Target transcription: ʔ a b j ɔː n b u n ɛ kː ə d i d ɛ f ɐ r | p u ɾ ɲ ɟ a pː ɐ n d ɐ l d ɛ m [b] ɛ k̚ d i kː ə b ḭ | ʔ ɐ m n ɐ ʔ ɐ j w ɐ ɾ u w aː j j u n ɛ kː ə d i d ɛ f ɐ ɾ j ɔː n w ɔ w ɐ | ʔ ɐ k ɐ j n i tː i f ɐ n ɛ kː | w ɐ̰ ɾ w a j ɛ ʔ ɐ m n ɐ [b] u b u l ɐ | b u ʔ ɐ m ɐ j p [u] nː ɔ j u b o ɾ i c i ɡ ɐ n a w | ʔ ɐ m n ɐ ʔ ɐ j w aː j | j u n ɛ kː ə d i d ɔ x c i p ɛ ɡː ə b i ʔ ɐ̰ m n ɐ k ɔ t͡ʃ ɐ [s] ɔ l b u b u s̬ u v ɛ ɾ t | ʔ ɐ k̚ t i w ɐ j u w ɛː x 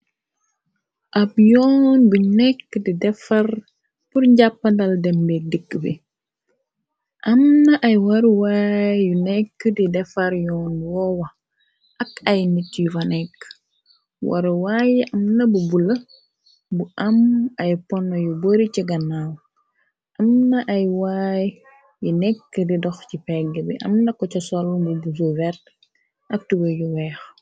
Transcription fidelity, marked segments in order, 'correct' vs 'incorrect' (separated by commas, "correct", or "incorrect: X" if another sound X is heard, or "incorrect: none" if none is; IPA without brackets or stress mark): correct, correct, incorrect: ɔ, correct